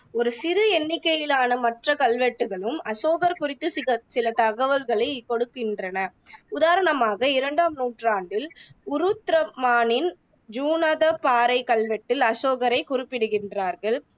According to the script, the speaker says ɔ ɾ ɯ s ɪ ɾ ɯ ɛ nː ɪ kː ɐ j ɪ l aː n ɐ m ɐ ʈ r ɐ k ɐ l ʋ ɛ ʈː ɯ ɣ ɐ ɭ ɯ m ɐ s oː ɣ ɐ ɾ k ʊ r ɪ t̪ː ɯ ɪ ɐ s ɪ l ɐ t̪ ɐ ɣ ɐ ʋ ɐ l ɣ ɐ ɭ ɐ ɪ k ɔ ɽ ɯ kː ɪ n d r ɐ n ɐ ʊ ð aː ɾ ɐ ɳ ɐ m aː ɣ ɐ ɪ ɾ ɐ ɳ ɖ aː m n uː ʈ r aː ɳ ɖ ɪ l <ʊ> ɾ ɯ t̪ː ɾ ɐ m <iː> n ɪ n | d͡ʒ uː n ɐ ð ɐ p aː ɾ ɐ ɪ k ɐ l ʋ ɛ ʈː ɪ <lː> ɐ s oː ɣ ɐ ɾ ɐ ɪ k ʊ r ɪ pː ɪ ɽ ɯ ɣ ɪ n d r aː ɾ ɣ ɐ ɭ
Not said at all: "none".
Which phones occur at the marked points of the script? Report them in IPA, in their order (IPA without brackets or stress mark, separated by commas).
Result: ʊ, aː, l